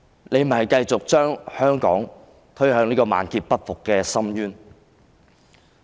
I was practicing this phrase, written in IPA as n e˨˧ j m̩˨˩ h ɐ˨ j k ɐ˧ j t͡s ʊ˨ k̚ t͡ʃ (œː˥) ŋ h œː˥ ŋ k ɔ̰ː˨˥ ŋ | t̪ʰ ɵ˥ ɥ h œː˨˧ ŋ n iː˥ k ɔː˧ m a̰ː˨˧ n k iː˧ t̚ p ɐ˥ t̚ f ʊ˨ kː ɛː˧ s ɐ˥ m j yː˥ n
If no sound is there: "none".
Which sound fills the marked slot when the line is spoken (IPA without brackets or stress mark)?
œː˥